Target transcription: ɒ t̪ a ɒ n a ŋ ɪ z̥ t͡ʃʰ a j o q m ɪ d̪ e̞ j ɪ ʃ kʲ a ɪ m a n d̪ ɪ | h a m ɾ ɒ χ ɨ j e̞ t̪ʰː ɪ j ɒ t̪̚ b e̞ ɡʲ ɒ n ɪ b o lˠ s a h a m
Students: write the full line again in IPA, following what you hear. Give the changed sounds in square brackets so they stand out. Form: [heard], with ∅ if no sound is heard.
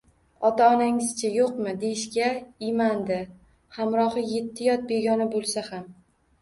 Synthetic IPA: ɒ t̪ a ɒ n a ŋ ɪ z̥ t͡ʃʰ a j o q m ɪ d̪ e̞ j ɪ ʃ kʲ a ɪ m a n d̪ ɪ | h a m ɾ ɒ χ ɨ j e̞ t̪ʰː ɪ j ɒ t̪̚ b e̞ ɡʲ ɒ n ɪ b o lˠ s a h a m